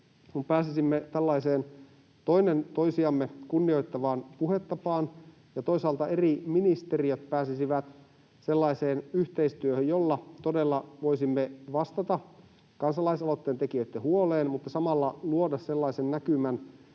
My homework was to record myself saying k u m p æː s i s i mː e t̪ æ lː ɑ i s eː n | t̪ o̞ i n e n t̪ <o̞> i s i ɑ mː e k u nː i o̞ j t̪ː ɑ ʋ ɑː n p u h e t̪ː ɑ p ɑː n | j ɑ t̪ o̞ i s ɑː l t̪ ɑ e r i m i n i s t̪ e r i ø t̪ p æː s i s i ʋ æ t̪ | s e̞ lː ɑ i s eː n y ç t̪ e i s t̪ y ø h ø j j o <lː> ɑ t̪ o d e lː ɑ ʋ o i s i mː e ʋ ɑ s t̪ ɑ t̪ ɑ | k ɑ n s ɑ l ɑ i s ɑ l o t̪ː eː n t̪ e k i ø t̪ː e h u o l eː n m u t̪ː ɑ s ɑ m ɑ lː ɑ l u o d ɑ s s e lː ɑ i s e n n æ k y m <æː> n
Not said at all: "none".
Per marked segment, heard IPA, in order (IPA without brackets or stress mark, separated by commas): o̞, lː, æ